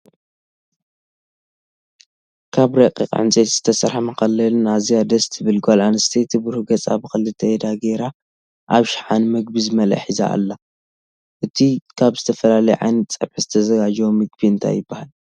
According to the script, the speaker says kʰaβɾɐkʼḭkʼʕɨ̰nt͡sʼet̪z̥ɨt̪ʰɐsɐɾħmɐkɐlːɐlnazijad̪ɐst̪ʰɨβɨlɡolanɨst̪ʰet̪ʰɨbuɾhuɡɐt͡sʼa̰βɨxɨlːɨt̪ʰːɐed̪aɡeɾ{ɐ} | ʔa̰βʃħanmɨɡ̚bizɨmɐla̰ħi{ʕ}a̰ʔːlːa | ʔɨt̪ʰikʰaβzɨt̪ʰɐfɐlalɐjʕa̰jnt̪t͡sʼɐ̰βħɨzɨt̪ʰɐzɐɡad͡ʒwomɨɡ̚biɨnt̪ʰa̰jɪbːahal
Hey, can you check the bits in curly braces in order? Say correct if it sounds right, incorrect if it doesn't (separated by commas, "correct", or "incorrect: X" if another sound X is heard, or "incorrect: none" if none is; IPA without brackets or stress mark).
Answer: incorrect: a, incorrect: z